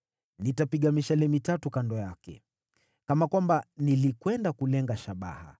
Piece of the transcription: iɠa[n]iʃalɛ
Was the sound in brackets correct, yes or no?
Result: no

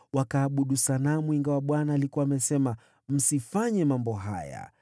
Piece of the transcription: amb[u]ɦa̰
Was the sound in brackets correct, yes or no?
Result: no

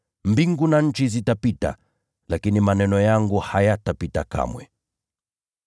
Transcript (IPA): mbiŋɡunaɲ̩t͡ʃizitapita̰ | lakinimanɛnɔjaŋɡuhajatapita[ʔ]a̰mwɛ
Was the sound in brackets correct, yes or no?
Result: no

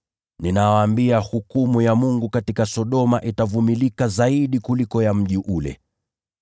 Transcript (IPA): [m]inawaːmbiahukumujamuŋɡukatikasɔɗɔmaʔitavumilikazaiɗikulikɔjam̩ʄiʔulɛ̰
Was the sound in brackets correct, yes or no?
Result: no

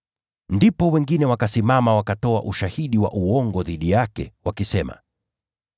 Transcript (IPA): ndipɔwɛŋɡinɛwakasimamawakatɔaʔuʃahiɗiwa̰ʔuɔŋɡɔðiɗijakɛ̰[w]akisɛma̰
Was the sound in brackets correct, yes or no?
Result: yes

